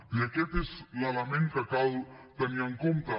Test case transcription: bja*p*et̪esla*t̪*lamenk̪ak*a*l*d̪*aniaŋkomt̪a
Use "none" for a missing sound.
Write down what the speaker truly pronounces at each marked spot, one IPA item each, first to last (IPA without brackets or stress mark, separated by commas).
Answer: k, none, a, t̪